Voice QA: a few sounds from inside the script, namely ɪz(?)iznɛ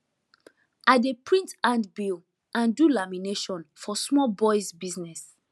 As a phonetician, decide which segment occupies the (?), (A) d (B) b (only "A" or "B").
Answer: B